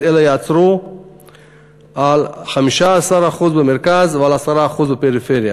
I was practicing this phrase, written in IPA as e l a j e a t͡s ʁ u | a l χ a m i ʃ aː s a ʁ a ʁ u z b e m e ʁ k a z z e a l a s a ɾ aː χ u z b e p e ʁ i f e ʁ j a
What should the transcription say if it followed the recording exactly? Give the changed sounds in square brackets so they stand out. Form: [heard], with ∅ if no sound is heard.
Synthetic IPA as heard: e l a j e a t͡s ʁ u | a l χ a m i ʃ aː s a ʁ a [χ] u z b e m e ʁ k a z [v] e a l a s a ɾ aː χ u z b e p e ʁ i f e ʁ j a